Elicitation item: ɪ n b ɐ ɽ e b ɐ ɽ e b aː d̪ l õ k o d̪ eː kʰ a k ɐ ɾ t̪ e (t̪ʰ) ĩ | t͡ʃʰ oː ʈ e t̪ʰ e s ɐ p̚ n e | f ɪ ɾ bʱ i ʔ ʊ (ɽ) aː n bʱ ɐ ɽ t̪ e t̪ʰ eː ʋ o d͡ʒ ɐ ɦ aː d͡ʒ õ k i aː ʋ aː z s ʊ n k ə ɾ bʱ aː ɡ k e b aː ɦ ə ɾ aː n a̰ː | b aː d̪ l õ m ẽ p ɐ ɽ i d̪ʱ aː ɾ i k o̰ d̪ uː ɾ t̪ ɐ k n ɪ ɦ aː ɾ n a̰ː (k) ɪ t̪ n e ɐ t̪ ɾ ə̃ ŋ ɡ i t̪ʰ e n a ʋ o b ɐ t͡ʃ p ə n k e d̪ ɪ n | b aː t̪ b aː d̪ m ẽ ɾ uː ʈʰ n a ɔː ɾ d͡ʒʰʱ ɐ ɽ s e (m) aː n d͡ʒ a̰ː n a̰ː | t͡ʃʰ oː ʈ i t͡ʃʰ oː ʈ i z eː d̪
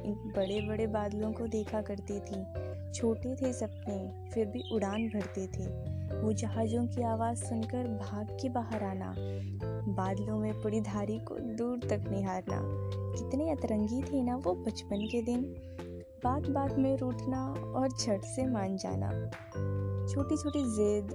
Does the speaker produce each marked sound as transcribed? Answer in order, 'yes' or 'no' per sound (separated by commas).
yes, yes, yes, yes